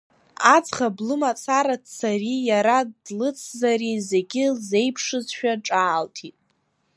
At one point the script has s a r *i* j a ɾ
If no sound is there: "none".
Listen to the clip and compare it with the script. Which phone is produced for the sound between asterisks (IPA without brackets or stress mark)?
i